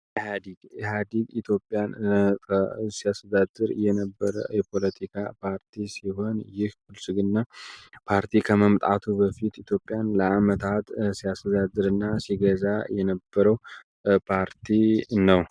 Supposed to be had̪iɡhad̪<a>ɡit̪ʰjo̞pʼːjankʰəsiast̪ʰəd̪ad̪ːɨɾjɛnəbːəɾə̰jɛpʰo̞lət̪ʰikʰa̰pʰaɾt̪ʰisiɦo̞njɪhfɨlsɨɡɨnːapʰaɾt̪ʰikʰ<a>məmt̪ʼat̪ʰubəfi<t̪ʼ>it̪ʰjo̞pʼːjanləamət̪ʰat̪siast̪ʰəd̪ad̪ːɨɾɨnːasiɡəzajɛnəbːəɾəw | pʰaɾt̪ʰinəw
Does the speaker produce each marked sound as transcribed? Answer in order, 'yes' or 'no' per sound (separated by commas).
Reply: no, no, no